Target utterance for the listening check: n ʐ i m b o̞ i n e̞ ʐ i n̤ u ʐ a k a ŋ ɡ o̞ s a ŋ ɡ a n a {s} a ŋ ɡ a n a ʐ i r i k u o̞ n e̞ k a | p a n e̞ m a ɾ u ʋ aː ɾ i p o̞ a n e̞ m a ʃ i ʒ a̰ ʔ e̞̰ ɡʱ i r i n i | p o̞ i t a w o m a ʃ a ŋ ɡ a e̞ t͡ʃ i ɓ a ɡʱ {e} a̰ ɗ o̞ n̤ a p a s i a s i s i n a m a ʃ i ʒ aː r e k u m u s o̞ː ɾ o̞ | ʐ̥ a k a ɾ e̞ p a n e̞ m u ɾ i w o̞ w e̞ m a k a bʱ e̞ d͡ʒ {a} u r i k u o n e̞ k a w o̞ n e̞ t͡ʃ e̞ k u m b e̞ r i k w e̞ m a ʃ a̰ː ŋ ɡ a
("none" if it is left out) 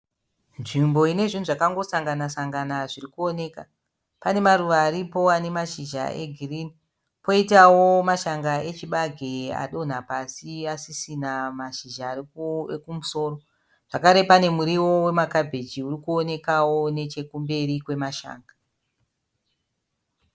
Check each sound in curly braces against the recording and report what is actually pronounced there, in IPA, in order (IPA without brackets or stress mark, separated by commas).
s, e, i